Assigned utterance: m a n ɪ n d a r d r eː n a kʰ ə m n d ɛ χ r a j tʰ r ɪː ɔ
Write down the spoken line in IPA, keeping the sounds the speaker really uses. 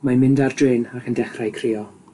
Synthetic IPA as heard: m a m ɪ n d a r d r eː n a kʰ ə n d ɛ χ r a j kʰ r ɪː ɔ